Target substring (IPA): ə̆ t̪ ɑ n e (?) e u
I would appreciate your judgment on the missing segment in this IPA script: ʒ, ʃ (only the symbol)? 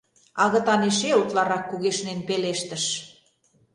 ʃ